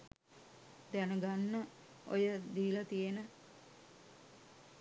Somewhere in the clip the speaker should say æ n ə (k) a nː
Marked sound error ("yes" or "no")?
yes